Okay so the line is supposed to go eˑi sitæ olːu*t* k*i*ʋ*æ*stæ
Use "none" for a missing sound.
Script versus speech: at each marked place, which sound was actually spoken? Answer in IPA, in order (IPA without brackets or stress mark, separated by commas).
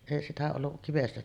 ʔ, i, e